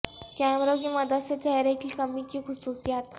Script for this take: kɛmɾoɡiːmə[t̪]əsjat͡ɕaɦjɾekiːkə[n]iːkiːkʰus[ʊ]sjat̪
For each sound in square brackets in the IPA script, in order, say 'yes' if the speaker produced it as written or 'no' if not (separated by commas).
no, no, no